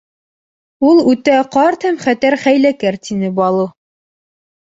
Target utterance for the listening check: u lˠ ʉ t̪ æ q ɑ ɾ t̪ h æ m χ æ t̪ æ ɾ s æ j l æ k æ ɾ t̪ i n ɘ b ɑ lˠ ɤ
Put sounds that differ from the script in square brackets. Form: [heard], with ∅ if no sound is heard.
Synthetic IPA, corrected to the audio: u lˠ ʉ t̪ æ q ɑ ɾ t̪ h æ m χ æ t̪ æ ɾ [χ] æ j l æ k æ ɾ t̪ i n ɘ b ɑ lˠ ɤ